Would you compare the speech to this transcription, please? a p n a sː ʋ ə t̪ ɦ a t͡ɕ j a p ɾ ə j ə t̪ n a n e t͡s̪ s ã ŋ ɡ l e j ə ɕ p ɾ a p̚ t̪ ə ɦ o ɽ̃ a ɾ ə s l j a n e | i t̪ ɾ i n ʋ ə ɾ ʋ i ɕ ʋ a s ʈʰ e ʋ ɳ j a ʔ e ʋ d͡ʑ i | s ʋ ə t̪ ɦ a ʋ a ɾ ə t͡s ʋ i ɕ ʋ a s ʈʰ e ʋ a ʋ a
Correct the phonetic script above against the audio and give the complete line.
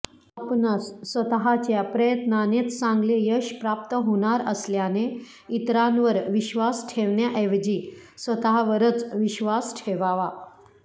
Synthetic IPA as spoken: a p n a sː ʋ ə t̪ ɦ a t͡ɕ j a p ɾ ə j ə t̪ n a n e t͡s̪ s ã ŋ ɡ l e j ə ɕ p ɾ a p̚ t̪ ə ɦ o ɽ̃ a ɾ ə s l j a n e | i t̪ ɾ a n ʋ ə ɾ ʋ i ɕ ʋ a s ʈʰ e ʋ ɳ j a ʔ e ʋ d͡ʑ i | s ʋ ə t̪ ɦ a ʋ ə ɾ ə t͡s ʋ i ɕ ʋ a s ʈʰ e ʋ a ʋ a